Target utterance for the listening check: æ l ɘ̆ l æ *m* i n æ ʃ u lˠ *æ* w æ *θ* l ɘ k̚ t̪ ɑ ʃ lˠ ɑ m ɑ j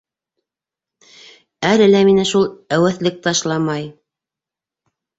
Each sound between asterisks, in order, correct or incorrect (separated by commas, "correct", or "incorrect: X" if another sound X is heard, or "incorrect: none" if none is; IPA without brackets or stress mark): correct, correct, correct